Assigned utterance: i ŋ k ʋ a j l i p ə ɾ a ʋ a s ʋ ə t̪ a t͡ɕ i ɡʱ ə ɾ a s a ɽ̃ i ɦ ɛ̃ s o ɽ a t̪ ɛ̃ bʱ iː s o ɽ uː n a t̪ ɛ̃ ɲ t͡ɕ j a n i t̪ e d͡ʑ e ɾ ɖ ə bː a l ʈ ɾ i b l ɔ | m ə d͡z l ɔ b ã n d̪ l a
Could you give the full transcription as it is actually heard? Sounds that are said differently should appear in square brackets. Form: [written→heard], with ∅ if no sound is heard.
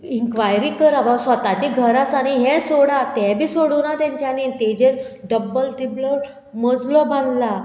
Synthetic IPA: i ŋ k ʋ a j [l→ɾ] i [p→k] ə ɾ a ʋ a s ʋ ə t̪ a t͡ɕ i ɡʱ ə ɾ a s a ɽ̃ i ɦ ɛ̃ s o ɽ a t̪ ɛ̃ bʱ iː s o ɽ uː n a t̪ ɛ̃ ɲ t͡ɕ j a n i t̪ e d͡ʑ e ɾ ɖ ə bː [a→ə] l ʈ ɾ i b l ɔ | m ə d͡z l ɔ b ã n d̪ l a